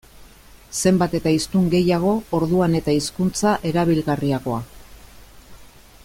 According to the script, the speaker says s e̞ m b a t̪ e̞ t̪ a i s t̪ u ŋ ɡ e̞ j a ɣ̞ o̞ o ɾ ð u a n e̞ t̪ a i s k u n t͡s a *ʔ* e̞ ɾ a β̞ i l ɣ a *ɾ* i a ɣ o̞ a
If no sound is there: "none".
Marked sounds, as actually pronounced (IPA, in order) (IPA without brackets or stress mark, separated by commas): ʔ, r